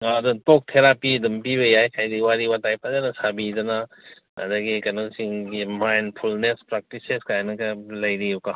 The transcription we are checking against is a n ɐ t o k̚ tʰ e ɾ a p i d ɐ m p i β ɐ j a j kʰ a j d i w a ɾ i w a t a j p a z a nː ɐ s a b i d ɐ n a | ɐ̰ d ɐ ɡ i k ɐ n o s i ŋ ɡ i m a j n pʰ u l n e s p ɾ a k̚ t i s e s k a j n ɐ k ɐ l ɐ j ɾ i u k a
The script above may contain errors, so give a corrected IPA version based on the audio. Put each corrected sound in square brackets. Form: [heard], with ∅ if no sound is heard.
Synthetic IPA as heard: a [d] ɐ t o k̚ tʰ e ɾ a p i d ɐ m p i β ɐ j a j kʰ a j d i w a ɾ i w a t a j p a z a [n] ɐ s a b i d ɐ n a | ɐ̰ d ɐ ɡ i k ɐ n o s i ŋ ɡ i m a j n pʰ u l n e s p ɾ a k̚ t i s e s k a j n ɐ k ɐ l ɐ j ɾ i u k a